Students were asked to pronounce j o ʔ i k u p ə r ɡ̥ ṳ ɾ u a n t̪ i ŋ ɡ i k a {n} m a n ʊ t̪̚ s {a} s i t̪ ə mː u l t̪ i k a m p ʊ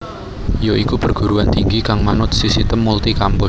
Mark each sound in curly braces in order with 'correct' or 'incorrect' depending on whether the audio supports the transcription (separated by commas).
incorrect, incorrect